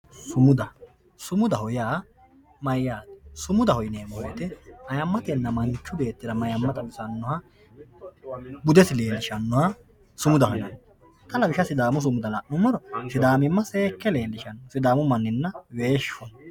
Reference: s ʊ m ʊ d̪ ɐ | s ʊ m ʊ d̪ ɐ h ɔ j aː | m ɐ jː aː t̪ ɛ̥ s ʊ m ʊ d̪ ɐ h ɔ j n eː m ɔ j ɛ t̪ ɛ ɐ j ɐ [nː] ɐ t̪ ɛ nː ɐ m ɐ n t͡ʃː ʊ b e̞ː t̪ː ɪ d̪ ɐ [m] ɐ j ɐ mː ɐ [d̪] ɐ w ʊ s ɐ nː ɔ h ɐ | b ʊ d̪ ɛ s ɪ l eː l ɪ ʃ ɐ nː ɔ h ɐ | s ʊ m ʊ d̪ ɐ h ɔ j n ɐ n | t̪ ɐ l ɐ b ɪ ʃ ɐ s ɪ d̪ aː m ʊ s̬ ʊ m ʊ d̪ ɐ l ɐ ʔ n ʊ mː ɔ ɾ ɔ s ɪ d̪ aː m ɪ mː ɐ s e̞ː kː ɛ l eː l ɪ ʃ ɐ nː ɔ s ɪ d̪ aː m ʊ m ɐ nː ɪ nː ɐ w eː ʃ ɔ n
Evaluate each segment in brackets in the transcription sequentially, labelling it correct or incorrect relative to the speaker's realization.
incorrect, correct, incorrect

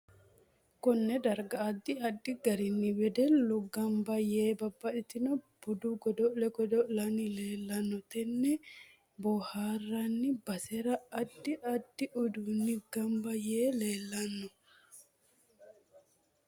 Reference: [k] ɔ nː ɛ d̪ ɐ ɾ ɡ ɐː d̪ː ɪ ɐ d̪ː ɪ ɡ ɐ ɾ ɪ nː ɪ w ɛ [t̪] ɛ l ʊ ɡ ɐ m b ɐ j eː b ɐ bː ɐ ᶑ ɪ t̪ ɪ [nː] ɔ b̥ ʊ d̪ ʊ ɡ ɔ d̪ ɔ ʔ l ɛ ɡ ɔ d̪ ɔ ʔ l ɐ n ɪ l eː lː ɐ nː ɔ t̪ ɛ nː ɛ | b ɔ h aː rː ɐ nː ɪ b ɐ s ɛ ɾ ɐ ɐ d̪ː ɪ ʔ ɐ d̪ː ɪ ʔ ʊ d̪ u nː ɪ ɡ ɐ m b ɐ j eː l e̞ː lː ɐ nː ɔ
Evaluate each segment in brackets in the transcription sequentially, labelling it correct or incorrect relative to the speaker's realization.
correct, incorrect, incorrect

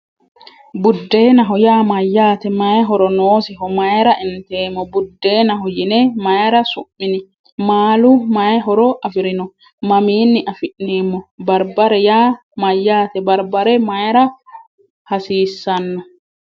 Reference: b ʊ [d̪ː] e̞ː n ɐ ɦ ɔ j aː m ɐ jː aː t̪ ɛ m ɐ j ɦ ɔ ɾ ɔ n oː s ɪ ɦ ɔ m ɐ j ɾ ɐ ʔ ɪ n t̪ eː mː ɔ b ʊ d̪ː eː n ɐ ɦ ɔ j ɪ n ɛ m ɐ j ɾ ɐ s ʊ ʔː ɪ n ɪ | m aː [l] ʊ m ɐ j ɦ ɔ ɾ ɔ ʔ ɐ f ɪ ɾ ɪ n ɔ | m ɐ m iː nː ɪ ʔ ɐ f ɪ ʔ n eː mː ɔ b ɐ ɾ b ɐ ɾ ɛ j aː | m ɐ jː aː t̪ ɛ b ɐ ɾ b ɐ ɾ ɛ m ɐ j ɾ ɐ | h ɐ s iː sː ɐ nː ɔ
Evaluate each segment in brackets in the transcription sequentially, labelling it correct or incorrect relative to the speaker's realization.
correct, correct

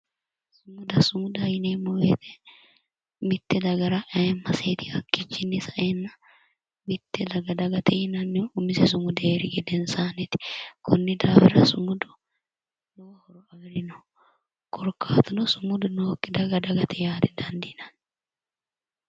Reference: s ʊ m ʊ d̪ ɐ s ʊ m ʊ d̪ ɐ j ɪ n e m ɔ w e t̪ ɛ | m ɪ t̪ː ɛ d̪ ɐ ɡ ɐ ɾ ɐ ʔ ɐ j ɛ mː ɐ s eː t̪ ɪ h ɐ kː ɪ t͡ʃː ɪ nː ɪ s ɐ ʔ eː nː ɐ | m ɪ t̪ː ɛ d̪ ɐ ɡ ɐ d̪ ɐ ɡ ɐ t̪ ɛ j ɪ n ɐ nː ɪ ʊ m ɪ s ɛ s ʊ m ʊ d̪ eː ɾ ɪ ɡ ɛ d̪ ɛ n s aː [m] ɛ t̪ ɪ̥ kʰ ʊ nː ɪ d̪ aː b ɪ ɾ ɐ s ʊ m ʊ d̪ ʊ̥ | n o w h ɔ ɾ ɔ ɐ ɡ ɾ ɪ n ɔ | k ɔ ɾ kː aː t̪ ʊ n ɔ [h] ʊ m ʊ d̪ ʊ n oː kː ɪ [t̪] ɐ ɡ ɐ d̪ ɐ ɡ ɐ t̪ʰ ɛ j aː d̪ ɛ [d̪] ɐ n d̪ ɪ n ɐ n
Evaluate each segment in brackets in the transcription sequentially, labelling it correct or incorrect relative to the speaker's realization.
incorrect, incorrect, incorrect, correct

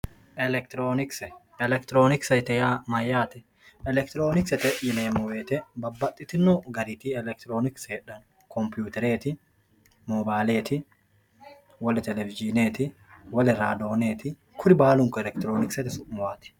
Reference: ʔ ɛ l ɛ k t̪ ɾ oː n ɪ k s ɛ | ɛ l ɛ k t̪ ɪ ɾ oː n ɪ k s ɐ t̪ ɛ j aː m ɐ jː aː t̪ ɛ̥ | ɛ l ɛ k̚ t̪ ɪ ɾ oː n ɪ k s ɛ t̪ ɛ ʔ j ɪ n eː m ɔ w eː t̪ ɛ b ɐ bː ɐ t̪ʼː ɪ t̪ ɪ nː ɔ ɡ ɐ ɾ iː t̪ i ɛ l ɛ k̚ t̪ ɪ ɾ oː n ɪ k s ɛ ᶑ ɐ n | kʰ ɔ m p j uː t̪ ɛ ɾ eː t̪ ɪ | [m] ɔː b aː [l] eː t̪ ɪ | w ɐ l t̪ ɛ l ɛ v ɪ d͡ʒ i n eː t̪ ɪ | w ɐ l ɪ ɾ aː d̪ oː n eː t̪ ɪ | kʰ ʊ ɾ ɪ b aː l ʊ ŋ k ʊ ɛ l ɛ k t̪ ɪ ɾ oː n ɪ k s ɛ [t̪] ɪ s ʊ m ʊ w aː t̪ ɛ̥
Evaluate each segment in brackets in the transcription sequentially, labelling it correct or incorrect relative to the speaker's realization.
correct, correct, correct

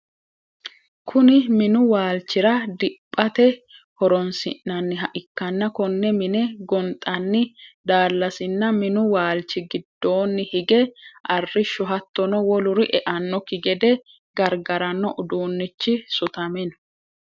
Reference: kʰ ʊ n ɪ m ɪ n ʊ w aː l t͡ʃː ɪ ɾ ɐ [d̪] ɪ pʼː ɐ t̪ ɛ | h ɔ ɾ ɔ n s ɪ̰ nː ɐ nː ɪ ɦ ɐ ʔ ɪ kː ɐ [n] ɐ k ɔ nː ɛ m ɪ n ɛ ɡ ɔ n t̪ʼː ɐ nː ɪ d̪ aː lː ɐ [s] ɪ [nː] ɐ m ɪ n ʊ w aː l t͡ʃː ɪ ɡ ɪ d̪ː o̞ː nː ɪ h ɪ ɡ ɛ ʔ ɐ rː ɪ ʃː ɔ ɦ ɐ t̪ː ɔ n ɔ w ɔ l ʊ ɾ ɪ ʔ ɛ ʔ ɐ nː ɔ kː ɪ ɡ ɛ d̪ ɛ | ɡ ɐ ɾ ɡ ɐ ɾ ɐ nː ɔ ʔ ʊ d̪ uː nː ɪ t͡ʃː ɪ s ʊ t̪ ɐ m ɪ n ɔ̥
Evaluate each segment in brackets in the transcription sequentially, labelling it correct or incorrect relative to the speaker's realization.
correct, incorrect, correct, correct

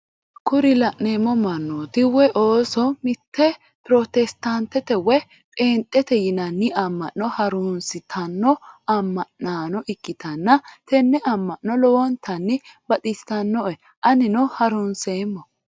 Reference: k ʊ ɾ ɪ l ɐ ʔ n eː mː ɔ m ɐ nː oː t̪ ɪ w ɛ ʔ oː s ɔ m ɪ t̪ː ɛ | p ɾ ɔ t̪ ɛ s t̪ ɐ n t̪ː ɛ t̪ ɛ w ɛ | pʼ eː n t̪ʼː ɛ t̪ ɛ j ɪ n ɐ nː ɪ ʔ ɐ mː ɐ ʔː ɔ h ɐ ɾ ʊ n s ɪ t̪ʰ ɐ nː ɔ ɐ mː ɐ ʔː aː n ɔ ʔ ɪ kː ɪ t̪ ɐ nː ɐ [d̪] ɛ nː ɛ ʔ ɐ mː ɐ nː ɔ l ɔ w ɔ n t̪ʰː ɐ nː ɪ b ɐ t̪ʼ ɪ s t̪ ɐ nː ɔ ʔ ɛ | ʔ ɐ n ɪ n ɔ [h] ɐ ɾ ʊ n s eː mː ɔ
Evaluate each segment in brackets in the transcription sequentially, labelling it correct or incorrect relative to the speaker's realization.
incorrect, correct

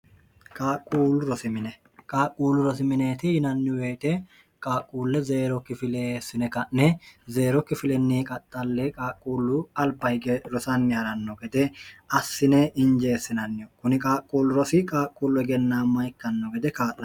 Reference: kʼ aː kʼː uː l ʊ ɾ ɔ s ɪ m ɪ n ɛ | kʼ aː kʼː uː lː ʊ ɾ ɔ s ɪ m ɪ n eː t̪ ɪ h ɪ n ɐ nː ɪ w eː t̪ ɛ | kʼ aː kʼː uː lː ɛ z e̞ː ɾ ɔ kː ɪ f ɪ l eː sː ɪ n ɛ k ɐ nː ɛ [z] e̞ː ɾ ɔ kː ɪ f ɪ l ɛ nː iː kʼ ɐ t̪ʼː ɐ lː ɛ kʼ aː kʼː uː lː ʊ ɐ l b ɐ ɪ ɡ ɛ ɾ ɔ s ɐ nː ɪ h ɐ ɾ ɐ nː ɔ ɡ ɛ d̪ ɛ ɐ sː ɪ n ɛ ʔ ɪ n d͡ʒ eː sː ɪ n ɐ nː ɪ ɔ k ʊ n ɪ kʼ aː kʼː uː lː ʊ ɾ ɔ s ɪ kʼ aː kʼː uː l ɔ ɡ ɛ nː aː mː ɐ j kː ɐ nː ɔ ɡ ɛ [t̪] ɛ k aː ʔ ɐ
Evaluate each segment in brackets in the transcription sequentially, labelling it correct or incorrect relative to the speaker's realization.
correct, incorrect

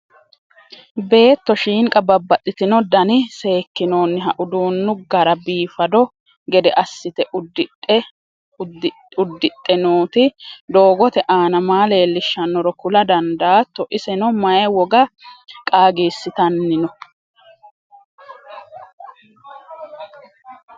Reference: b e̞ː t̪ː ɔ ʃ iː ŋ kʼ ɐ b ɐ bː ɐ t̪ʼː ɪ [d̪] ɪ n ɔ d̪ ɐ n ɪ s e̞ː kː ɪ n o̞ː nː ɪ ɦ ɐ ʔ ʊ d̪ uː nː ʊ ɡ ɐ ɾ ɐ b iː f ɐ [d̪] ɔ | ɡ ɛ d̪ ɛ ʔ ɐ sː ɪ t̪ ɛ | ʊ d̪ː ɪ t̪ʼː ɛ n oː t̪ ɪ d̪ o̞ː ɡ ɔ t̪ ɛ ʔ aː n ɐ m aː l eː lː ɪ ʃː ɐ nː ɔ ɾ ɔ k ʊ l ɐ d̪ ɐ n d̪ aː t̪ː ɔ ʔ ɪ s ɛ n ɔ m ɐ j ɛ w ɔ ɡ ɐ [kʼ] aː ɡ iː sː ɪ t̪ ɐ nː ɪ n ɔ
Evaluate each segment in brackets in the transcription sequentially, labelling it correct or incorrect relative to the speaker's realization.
incorrect, correct, correct

